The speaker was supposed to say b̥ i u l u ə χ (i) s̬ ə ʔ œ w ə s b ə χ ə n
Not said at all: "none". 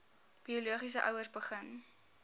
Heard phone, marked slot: i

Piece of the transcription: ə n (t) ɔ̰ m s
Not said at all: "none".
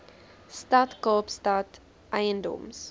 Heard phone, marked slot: d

